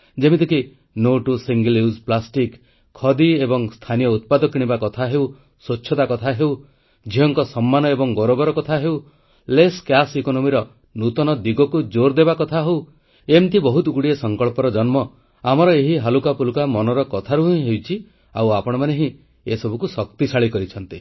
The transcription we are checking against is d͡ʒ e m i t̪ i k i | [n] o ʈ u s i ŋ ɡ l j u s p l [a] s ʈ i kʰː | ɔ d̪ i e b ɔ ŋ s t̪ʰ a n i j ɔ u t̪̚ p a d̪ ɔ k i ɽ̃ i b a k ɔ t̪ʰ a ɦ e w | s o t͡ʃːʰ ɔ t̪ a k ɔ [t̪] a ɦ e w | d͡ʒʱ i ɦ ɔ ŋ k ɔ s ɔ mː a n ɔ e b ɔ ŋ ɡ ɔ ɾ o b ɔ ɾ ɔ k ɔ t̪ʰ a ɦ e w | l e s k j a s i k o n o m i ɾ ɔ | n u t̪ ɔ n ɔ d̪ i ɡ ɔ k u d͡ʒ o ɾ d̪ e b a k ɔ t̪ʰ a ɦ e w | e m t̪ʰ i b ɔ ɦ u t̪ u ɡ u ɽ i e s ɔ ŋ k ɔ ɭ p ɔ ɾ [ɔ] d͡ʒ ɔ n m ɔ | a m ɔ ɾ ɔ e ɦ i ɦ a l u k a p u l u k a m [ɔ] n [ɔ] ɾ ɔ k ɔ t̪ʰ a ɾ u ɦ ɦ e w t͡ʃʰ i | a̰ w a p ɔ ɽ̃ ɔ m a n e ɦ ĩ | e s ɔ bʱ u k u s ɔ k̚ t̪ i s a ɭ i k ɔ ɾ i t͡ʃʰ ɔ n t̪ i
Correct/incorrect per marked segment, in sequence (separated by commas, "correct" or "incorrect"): correct, correct, incorrect, correct, correct, correct